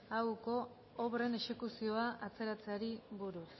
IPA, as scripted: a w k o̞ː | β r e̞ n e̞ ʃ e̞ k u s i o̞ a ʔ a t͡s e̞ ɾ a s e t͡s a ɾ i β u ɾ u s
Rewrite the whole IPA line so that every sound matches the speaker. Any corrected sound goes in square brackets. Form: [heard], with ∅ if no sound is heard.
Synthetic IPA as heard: a w k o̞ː | β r e̞ n e̞ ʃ e̞ k u s i o̞ a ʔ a t͡s e̞ ɾ a [t͡s] e [∅] a ɾ i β u ɾ u s

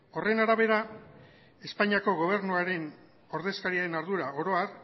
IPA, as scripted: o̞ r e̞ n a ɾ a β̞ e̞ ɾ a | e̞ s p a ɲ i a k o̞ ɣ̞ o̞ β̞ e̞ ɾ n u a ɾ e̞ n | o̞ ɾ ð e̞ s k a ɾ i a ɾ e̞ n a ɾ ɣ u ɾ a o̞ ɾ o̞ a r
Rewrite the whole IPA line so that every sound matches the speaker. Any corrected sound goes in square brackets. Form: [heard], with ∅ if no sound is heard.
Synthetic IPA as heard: o̞ r e̞ n a ɾ a β̞ e̞ ɾ a | e̞ s p a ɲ i a k o̞ ɣ̞ o̞ β̞ e̞ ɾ n u a ɾ e̞ n | o̞ ɾ ð e̞ s k a ɾ i a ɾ e̞ n a ɾ [ð] u ɾ a o̞ ɾ o̞ a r

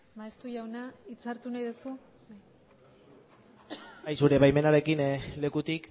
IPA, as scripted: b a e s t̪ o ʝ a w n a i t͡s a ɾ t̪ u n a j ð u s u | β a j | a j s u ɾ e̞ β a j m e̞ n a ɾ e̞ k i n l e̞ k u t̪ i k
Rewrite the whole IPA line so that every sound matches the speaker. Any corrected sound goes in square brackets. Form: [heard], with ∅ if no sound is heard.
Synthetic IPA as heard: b a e s t̪ [u] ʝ a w n a i t͡s a ɾ t̪ u n a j ð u s u | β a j | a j s u ɾ e̞ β a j m e̞ n a ɾ e̞ k i n l e̞ k u t̪ i k

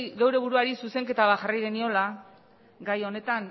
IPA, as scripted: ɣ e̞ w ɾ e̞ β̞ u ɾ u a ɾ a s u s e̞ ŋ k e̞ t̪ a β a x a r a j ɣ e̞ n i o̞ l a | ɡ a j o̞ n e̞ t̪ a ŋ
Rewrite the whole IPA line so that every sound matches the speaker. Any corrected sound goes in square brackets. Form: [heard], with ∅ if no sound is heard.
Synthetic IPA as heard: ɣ e̞ w ɾ e̞ β̞ u ɾ u a ɾ [i] s u s e̞ ŋ k e̞ t̪ a β a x a r a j ɣ e̞ n i o̞ l a | ɡ a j o̞ n e̞ t̪ a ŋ

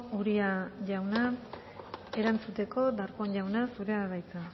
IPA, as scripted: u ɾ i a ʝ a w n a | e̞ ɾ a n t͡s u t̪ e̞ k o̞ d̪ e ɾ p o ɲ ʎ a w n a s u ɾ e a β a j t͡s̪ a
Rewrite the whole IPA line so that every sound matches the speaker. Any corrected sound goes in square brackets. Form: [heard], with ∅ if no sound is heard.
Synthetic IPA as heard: u ɾ i a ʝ a w n a | e̞ ɾ a n t͡s u t̪ e̞ k o̞ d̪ [a] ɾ [k] o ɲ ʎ a w n a s u ɾ e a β a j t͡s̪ a

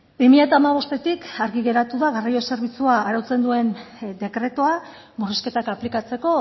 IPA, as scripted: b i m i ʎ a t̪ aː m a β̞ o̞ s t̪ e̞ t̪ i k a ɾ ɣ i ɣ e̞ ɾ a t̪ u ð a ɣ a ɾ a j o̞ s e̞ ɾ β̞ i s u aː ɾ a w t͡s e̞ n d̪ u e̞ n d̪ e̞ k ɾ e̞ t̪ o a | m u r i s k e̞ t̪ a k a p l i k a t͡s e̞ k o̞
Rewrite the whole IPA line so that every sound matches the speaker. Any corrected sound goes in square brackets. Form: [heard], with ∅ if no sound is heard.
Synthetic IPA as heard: b i m i ʎ a t̪ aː m a β̞ o̞ s t̪ e̞ t̪ i k a ɾ ɣ i ɣ e̞ ɾ a t̪ u ð a ɣ a [r] a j o̞ s e̞ ɾ β̞ i [t͡s] u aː ɾ a w t͡s e̞ n d̪ u e̞ n d̪ e̞ k ɾ e̞ t̪ o a | m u r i s k e̞ t̪ a k a p l i k a t͡s e̞ k o̞

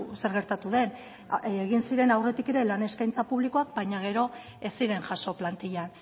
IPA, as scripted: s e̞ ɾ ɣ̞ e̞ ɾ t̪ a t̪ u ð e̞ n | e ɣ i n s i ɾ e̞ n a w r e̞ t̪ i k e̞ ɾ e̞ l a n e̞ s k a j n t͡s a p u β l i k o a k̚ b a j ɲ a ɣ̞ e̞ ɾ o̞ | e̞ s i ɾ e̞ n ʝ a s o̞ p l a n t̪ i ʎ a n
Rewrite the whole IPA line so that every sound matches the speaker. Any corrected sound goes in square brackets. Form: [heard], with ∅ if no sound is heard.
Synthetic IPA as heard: s e̞ ɾ ɣ̞ e̞ ɾ t̪ a t̪ u ð e̞ n | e ɣ i n s i ɾ e̞ n a w r e̞ t̪ i k e̞ ɾ e̞ l a n e̞ s k a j n t͡s a p u β l i k o a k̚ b a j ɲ a ɣ̞ e̞ ɾ o̞ | e̞ s i ɾ e̞ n ʝ a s o̞ p l a n t̪ i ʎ a n

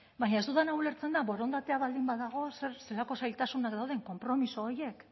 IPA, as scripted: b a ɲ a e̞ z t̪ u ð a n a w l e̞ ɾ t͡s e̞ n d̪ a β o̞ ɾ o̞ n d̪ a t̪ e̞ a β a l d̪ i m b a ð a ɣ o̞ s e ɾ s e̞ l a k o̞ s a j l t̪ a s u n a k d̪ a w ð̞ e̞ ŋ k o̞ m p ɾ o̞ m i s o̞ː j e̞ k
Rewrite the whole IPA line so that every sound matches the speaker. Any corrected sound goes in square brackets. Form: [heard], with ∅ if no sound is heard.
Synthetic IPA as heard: b a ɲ a e̞ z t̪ u ð a n a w l e̞ ɾ t͡s e̞ n d̪ a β o̞ ɾ o̞ n d̪ a t̪ e̞ a β a l d̪ i m b a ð a ɣ o̞ s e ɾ s e̞ l a k o̞ s a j l t̪ a s u n a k d̪ a w ð̞ e̞ ŋ k o̞ m p ɾ o̞ m i s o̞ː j e̞ k

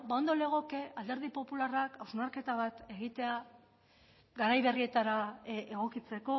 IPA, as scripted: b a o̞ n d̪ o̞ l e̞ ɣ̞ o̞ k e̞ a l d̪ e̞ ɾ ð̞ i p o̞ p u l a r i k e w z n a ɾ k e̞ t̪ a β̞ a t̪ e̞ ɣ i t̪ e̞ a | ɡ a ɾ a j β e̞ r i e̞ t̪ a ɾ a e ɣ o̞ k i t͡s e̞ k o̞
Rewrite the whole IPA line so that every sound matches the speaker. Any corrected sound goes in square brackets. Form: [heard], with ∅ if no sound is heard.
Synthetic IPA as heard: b a o̞ n d̪ o̞ l e̞ ɣ̞ o̞ k e̞ a l d̪ e̞ ɾ ð̞ i p o̞ p u l a r [a] k [a] w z n a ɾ k e̞ t̪ a β̞ a t̪ e̞ ɣ i t̪ e̞ a | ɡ a ɾ a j β e̞ r i e̞ t̪ a ɾ a e ɣ o̞ k i t͡s e̞ k o̞

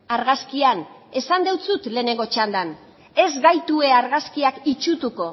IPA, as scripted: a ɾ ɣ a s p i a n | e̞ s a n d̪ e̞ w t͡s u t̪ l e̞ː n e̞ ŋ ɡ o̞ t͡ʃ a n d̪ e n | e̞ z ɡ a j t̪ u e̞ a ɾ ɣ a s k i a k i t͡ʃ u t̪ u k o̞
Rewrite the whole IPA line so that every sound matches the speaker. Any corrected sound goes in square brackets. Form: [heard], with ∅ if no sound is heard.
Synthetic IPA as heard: a ɾ ɣ a s [k] i a n | e̞ s a n d̪ e̞ w t͡s u t̪ l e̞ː n e̞ ŋ ɡ o̞ t͡ʃ a n d̪ [a] n | e̞ z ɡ a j t̪ u e̞ a ɾ ɣ a s k i a k i t͡ʃ u t̪ u k o̞

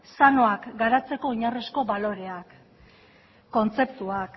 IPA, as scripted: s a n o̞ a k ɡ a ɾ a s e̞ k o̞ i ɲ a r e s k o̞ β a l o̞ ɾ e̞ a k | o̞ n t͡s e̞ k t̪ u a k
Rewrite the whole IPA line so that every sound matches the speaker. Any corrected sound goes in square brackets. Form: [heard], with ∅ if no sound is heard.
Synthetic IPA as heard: s a n o̞ a k ɡ a ɾ a [t͡s] e̞ k o̞ i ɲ a r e s k o̞ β a l o̞ ɾ e̞ a k | o̞ n t͡s e̞ [p] t̪ u a k

